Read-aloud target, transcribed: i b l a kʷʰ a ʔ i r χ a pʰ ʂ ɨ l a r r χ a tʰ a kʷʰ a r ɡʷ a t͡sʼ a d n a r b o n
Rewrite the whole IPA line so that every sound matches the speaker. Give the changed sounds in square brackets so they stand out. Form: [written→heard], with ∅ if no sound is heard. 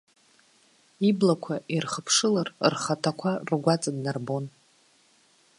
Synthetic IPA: i b l a kʷʰ a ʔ i r χ [a→ə] pʰ ʂ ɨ l a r r χ a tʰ a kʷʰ a r ɡʷ a t͡sʼ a d n a r b o n

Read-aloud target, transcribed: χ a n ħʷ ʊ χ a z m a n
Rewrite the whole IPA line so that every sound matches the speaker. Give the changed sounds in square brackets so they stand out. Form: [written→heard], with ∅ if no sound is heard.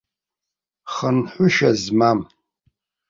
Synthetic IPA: χ [a→ə] n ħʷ ʊ [χ→ʃ] a z m a [n→m]

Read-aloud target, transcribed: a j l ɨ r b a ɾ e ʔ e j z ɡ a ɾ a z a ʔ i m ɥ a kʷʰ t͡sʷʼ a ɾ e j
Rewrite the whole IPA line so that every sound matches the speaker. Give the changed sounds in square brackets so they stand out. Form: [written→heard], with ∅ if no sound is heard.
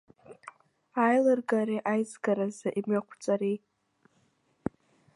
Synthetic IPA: a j l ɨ r [b→ɡ] a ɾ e ʔ [e→a] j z ɡ a ɾ a z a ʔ i m ɥ a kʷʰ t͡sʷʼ a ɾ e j

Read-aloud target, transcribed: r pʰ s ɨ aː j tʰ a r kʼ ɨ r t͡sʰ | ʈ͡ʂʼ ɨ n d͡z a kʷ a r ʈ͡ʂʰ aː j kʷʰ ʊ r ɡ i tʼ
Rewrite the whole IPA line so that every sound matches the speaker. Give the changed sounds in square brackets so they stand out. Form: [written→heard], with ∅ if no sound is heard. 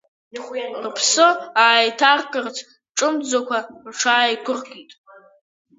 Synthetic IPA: r pʰ s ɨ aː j tʰ a r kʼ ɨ r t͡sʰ | ʈ͡ʂʼ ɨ [n→m] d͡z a kʷ a r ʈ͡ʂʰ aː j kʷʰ ʊ r ɡ i tʼ

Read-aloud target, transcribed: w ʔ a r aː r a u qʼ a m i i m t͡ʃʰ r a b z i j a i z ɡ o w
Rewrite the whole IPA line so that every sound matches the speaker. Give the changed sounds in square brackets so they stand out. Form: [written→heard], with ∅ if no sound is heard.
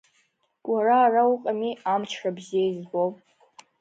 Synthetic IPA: w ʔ a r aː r a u qʼ a m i [i→a] m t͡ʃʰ r a b z i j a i z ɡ o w

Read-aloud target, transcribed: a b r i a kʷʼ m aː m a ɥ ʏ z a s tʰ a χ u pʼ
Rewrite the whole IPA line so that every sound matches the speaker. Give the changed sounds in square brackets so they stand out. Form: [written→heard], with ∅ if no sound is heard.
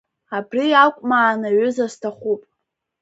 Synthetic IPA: a b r i a kʷʼ m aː [m→n] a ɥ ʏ z a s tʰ a χ u pʼ

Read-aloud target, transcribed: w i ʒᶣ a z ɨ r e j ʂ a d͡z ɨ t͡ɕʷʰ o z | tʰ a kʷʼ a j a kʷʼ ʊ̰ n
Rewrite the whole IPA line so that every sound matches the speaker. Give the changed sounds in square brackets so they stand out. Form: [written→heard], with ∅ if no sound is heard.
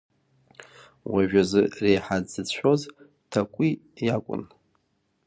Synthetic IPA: w [i→a] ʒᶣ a z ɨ r e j [ʂ→ħ] a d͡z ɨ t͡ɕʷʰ o z | tʰ a kʷʼ [a→i] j a kʷʼ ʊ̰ n

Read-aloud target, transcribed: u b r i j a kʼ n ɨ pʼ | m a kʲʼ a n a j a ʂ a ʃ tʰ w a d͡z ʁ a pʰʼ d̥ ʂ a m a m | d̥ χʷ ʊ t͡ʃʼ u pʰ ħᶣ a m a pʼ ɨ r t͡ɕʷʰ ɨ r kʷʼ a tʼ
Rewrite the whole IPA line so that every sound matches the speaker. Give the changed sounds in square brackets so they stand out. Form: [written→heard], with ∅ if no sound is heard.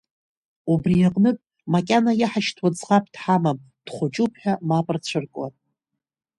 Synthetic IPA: u b r i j a [kʼ→qʼ] n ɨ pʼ | m a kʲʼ a n a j a [ʂ→ħ] a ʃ tʰ w a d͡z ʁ a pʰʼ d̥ [ʂ→ħ] a m a m | d̥ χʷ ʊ t͡ʃʼ u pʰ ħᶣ a m a pʼ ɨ r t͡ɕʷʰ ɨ r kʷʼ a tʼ

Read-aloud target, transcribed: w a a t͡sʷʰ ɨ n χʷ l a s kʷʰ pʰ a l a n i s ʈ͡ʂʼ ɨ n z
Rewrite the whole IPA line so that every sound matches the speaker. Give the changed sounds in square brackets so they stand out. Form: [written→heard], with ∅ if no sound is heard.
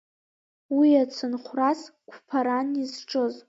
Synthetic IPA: w [a→i] a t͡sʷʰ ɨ n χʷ [l→r] a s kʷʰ pʰ a [l→ɾ] a n i [s→z] ʈ͡ʂʼ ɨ [n→∅] z

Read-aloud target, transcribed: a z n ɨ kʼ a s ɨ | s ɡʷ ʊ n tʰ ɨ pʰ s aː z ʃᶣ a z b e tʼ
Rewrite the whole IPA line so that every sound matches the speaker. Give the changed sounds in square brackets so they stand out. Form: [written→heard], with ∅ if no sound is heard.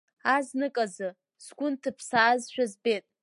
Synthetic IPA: a z n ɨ kʼ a [s→z] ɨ | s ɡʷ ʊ n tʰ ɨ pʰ s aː z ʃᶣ a z b e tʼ

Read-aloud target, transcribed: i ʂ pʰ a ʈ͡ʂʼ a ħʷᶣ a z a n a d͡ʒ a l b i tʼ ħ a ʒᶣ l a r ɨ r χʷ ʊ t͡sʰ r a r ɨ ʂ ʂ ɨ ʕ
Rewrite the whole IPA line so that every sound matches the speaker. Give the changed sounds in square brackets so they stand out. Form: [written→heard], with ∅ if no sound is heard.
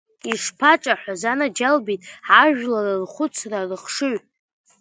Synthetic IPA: i ʂ pʰ a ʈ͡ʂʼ a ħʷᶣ a z a n a d͡ʒ a l b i tʼ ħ a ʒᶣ l a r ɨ r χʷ ʊ t͡sʰ r a r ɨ [ʂ→χ] ʂ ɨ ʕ

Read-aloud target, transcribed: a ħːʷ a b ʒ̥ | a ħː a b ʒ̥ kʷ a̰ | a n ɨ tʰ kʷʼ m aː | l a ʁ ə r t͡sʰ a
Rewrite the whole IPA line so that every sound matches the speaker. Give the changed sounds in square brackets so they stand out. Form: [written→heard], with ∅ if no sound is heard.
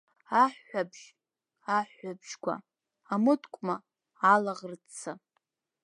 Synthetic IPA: a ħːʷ a b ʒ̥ | a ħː a b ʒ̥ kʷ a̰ | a [n→m] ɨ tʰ kʷʼ m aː | l a ʁ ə r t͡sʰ a

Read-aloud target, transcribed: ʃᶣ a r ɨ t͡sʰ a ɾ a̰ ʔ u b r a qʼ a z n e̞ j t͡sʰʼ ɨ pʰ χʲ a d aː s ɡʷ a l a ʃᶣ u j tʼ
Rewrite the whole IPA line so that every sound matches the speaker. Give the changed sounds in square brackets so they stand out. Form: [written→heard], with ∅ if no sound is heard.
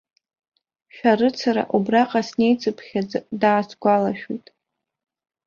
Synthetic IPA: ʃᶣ a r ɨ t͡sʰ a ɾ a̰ ʔ u b r a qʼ a [z→s] n e̞ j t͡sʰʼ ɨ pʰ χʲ a d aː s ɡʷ a l a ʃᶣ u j tʼ

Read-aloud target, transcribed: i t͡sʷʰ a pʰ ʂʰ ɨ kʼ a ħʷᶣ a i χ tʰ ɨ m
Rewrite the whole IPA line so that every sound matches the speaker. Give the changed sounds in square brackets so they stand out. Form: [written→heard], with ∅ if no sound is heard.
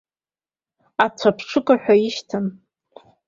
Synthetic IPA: [i→a] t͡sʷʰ a pʰ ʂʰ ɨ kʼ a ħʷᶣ a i [χ→ʃ] tʰ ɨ [m→n]

